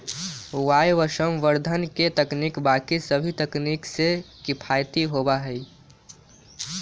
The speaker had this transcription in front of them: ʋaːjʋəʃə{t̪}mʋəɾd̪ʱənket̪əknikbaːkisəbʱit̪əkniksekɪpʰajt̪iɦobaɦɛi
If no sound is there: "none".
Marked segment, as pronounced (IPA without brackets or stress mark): none